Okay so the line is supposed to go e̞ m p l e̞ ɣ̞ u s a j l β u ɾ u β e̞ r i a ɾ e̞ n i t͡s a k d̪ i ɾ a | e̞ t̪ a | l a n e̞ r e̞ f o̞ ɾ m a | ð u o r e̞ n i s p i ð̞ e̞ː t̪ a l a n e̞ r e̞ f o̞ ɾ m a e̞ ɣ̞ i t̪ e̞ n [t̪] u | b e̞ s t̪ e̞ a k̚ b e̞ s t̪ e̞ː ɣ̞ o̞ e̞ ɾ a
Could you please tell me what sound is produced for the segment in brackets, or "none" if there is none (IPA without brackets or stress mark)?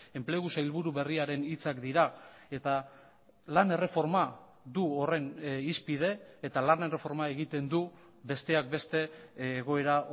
d̪